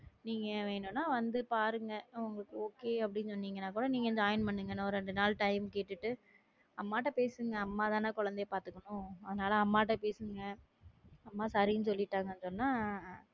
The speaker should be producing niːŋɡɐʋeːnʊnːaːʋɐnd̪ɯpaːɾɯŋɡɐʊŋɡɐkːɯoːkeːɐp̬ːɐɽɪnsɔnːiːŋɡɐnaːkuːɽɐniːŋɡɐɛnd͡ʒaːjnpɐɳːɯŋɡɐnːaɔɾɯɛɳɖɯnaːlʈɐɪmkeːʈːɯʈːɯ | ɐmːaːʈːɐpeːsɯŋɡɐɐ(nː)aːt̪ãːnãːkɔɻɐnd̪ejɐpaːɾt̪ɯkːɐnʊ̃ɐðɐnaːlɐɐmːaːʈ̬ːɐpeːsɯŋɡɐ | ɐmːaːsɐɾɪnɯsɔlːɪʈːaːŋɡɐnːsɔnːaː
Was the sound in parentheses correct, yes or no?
no